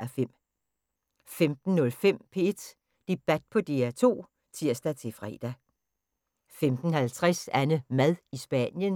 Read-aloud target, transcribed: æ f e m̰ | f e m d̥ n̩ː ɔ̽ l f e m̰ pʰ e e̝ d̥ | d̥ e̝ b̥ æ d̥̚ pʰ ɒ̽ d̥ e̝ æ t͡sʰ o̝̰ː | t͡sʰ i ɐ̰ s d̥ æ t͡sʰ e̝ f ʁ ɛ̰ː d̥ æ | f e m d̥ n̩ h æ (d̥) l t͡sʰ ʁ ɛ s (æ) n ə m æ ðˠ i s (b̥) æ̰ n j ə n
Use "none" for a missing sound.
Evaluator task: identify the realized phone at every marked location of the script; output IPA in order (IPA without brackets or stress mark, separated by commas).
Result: none, æ, b̥